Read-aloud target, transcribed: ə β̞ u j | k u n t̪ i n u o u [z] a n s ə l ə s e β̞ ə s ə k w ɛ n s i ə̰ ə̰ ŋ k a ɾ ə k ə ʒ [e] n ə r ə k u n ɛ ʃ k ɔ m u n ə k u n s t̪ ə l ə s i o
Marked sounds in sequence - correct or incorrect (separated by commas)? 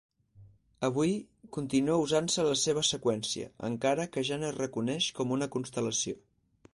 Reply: correct, incorrect